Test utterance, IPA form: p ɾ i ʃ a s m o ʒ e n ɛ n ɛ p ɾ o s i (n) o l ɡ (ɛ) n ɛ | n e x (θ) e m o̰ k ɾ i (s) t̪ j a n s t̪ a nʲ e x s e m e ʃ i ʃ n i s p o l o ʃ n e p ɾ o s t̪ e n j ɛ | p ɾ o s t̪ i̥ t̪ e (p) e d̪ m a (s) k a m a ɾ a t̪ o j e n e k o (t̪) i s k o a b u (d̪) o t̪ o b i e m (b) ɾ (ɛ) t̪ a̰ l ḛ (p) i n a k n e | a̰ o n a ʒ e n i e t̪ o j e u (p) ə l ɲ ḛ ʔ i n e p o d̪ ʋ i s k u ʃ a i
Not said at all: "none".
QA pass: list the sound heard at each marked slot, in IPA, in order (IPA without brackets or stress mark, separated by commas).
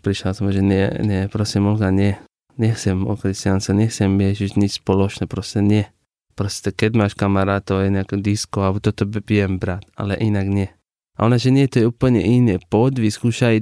m, a, s, s, k, ʃ, d̪, t̪, b, a, ʔ, p